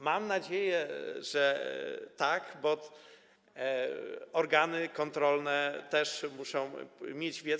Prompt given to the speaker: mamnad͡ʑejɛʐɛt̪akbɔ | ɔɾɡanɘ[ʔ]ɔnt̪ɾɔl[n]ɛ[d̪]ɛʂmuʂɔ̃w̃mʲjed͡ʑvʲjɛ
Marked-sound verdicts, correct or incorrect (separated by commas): incorrect, correct, incorrect